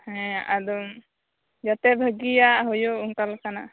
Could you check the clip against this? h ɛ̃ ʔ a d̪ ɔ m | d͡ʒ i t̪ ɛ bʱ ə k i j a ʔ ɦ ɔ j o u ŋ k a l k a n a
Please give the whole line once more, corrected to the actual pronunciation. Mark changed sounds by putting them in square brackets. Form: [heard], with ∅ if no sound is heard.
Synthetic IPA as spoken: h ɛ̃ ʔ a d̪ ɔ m | d͡ʒ [a] t̪ ɛ bʱ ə [ɡ] i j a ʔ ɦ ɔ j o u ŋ k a l k a n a